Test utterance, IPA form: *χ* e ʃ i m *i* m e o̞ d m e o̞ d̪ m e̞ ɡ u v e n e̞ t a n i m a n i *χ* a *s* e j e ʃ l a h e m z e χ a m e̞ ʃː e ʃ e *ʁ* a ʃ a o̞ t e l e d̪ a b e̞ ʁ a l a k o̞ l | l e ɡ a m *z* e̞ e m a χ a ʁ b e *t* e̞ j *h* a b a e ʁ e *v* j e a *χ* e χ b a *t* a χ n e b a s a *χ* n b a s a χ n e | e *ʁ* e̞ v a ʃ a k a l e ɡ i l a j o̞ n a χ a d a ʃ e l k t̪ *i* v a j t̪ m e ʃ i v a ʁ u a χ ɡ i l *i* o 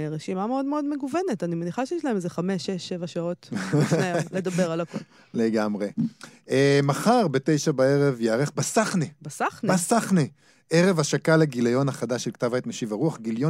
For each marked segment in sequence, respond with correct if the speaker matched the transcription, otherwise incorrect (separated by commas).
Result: incorrect, incorrect, correct, incorrect, incorrect, incorrect, correct, incorrect, correct, incorrect, incorrect, correct, correct, incorrect, incorrect